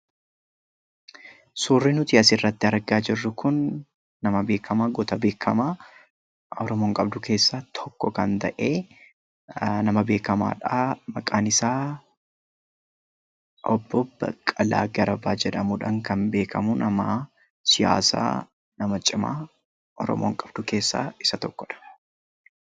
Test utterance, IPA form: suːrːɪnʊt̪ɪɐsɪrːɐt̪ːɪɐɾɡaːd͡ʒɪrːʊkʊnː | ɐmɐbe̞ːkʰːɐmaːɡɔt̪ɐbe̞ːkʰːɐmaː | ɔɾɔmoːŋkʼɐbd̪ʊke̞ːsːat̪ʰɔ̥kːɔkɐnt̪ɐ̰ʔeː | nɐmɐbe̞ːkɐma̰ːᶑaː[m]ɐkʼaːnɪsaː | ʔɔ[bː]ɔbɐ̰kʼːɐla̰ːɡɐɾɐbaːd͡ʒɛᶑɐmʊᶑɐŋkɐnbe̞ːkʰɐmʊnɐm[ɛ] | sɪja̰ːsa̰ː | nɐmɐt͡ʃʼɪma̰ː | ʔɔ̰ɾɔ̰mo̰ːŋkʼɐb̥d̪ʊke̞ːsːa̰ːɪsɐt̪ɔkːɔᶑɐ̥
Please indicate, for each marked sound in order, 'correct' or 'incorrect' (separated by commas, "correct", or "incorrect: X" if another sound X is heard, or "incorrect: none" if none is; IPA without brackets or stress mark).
correct, correct, incorrect: a